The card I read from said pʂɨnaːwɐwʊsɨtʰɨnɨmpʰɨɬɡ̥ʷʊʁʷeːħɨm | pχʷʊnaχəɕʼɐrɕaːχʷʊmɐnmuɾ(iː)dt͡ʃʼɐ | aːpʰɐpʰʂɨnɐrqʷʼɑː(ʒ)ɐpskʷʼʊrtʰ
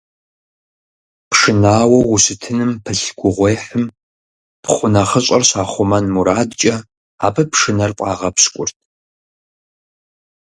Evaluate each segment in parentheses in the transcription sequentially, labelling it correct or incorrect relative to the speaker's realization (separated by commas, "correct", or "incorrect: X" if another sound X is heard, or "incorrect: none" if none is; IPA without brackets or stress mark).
incorrect: aː, incorrect: ʁ